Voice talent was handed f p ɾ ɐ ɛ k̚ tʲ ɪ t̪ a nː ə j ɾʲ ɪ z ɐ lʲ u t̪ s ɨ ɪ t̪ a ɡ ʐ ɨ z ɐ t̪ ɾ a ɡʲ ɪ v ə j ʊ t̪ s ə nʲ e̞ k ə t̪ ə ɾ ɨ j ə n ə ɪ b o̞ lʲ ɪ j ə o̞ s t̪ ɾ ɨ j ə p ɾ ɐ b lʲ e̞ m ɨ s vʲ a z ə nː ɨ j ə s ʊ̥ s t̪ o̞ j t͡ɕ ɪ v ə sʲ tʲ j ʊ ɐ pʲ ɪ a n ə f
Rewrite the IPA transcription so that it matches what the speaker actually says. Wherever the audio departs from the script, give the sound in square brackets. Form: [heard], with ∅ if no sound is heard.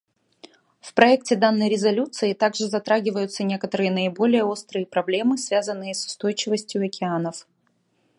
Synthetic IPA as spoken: f p ɾ ɐ ɛ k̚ tʲ ɪ [d̪] a nː ə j ɾʲ ɪ z ɐ lʲ u t̪ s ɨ ɪ t̪ a ɡ ʐ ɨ z ɐ t̪ ɾ a ɡʲ ɪ v ə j ʊ t̪ s ə nʲ e̞ k ə t̪ ə ɾ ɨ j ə n ə ɪ b o̞ lʲ ɪ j ə o̞ s t̪ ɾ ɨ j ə p ɾ ɐ b lʲ e̞ m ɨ s vʲ a z ə nː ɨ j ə s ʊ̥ s t̪ o̞ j t͡ɕ ɪ v ə sʲ tʲ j ʊ ɐ [kʲ] ɪ a n ə f